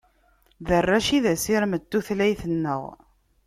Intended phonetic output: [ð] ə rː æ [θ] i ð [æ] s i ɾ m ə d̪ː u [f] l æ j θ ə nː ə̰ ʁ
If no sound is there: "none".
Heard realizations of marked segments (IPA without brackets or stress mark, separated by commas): ð, ʃ, æ, θ